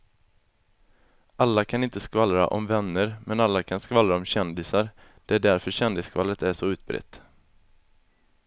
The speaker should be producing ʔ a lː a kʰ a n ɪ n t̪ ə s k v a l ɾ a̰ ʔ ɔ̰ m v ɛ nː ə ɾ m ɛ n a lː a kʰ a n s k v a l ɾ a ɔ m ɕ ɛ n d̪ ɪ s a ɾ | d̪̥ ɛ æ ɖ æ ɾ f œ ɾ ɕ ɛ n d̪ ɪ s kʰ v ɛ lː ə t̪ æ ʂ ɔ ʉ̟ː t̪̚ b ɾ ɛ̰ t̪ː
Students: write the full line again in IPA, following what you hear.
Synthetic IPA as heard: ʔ a lː a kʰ a n ɪ n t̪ ə s k v a l ɾ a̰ ʔ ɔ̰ m v ɛ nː ə ɾ m ɛ n a lː a kʰ a n s k v a l ɾ a ɔ m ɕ ɛ n d̪ ɪ s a ɾ | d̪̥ ɛ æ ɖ æ ɾ f œ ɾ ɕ ɛ n d̪ ɪ s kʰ v a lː ə t̪ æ ʂ ɔ ʉ̟ː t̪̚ b ɾ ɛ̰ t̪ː